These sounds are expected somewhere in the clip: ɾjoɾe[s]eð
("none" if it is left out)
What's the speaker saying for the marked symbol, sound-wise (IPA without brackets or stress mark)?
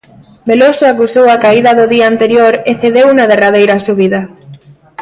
θ